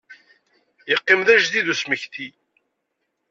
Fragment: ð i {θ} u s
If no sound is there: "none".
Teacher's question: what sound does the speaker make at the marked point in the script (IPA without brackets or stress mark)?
ð